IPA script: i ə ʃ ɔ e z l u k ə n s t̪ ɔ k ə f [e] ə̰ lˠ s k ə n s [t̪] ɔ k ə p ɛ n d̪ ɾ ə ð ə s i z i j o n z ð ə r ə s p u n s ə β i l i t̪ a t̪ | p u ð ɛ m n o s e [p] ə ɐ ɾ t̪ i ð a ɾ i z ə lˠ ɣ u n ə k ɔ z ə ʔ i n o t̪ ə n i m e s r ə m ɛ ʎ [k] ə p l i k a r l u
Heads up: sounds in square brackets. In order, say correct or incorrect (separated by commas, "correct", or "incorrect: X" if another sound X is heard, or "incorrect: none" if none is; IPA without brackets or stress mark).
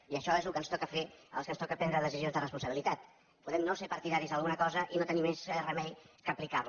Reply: correct, correct, correct, correct